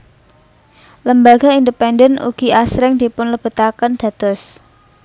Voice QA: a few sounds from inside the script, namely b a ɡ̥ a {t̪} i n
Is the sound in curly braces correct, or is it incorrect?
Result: incorrect